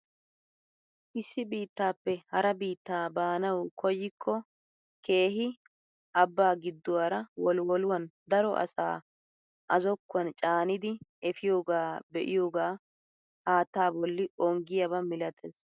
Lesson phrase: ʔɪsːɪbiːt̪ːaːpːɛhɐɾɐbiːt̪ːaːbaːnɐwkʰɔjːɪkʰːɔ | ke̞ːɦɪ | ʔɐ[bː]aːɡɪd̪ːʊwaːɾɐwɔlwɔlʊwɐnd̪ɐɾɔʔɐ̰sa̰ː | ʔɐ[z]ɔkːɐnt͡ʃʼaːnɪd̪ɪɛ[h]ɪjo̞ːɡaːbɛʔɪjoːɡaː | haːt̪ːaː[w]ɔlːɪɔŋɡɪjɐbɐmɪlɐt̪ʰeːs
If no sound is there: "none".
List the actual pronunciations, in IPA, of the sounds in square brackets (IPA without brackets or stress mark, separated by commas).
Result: bː, z, f, b